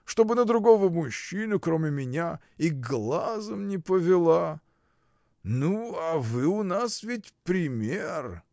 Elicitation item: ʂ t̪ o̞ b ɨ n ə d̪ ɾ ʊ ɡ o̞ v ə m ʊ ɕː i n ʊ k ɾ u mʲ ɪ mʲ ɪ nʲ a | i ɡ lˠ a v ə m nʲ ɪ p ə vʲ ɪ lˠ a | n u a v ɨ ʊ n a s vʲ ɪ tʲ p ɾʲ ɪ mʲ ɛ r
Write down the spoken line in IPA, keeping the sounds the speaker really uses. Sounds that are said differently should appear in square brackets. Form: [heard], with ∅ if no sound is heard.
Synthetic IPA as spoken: ʂ t̪ o̞ b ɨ n ə d̪ ɾ ʊ ɡ o̞ v ə m ʊ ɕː i n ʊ k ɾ [o] mʲ ɪ mʲ ɪ nʲ a | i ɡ lˠ a [z] ə m nʲ ɪ p ə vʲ ɪ lˠ a | n u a v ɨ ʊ n a s vʲ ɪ tʲ p ɾʲ ɪ mʲ [e] r